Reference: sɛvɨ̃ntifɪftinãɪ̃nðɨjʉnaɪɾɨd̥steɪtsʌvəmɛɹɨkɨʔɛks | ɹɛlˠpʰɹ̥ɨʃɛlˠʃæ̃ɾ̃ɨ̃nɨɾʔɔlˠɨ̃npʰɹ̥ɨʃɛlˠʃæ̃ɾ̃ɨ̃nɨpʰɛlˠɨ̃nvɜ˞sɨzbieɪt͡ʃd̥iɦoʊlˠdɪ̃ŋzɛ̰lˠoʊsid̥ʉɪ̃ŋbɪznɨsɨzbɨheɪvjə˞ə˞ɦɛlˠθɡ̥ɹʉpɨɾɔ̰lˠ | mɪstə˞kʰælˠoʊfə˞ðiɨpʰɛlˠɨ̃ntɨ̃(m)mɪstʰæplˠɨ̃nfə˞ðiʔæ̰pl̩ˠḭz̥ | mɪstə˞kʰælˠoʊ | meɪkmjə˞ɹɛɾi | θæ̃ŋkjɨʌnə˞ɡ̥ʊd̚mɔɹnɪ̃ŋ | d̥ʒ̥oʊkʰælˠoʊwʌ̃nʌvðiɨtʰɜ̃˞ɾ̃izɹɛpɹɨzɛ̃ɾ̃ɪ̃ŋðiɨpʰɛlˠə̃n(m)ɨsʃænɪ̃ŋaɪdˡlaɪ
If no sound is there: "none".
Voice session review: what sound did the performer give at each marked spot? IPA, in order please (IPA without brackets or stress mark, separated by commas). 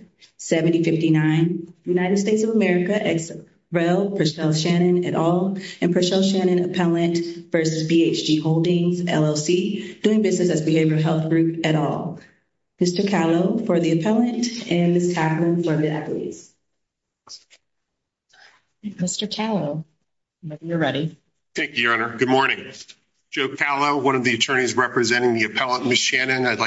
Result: n, m